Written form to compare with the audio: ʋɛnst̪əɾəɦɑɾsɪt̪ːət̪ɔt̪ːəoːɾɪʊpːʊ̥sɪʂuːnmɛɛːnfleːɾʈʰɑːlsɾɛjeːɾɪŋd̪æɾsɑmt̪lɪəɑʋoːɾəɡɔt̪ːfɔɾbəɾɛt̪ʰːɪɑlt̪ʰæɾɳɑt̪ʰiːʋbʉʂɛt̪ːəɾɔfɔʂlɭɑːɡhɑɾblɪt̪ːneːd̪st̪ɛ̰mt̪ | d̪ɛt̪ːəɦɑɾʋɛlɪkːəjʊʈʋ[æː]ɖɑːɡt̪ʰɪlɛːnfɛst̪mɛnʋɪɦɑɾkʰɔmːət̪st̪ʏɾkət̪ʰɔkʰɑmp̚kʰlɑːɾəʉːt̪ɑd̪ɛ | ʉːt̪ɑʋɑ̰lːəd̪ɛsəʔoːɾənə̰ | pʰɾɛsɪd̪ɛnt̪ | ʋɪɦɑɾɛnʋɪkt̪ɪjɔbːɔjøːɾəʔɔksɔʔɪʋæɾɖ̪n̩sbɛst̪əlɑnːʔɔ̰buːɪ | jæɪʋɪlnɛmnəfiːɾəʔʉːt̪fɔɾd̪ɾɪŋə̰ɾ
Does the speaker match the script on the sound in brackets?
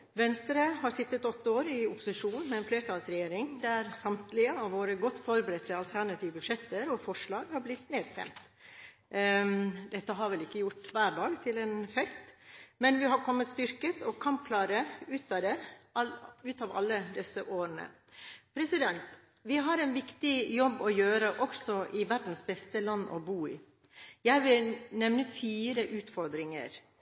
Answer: yes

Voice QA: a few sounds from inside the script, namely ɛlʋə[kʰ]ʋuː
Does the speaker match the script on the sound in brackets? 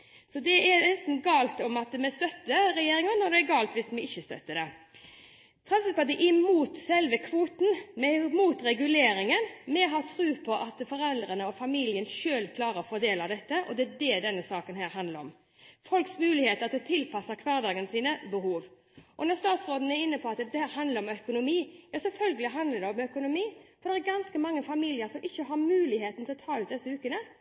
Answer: yes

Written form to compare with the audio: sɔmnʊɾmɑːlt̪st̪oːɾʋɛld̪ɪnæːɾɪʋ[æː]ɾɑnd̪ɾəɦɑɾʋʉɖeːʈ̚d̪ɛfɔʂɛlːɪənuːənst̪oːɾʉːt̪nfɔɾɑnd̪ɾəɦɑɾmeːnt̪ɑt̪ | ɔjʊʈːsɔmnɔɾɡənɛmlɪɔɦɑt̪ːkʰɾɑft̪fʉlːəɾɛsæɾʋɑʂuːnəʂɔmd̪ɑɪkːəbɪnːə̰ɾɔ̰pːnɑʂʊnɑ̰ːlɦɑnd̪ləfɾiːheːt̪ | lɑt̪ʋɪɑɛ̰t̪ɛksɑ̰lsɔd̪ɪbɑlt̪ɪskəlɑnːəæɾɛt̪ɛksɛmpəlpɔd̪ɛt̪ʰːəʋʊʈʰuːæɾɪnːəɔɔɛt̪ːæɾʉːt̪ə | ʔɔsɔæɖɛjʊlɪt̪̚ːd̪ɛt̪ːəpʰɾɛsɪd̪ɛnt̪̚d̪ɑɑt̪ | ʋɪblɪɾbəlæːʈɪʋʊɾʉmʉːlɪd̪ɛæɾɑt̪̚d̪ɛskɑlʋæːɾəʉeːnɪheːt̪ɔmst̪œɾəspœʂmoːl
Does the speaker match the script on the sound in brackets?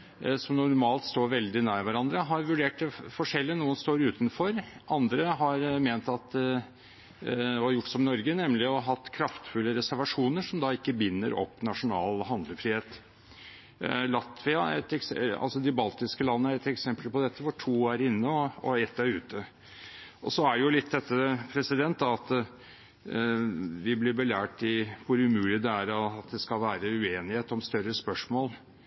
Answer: no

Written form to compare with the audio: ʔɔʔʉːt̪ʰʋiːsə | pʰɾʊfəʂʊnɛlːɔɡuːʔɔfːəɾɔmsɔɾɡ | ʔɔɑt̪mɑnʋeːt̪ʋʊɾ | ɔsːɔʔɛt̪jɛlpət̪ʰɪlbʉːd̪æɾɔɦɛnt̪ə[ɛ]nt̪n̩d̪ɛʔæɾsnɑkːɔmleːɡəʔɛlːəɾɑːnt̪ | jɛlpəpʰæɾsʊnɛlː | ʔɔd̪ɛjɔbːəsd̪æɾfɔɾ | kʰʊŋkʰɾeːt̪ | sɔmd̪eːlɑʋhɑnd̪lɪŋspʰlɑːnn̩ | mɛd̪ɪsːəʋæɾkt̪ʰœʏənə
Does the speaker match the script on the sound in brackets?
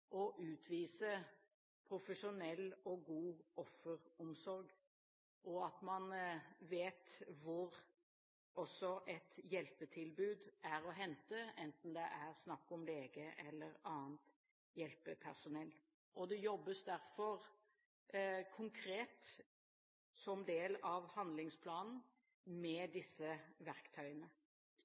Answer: yes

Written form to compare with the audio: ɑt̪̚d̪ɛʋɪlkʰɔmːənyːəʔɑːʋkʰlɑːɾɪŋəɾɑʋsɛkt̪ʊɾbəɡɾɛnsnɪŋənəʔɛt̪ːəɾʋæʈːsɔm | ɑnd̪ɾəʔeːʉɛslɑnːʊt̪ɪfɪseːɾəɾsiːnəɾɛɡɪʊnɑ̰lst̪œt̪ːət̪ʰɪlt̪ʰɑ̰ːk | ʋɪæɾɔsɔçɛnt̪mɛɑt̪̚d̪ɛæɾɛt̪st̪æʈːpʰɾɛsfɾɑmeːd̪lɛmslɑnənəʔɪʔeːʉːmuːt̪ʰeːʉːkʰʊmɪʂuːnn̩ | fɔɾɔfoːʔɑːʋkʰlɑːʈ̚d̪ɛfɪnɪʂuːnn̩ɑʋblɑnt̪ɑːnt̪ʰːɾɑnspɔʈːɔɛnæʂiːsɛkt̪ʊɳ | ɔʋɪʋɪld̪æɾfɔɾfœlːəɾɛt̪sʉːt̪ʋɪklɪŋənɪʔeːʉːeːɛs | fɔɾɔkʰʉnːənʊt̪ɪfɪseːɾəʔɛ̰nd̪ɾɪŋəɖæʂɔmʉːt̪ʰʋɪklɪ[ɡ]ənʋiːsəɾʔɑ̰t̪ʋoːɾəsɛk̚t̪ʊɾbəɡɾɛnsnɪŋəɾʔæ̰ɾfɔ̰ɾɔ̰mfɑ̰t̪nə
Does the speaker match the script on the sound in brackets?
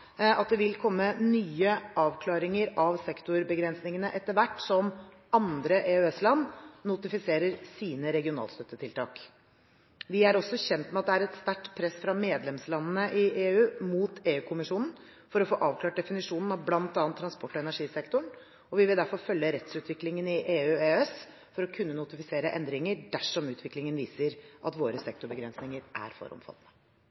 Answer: no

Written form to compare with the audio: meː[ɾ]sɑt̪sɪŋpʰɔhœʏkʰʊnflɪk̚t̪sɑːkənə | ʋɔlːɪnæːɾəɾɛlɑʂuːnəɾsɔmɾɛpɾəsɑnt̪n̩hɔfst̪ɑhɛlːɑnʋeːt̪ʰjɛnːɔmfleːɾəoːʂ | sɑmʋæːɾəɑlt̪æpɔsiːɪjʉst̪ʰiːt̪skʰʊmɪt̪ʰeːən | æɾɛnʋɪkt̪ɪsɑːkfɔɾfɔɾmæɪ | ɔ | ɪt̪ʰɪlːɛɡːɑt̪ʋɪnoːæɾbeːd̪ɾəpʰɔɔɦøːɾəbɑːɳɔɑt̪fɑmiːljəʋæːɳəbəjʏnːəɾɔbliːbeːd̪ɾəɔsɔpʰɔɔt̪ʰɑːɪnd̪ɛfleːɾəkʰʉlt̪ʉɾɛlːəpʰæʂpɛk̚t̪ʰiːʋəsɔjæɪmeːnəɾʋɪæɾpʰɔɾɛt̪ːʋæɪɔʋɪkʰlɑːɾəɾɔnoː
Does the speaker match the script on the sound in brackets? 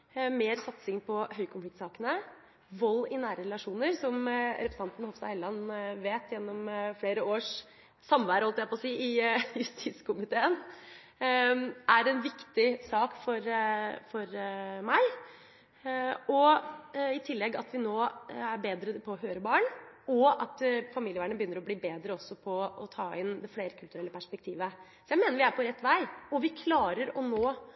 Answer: yes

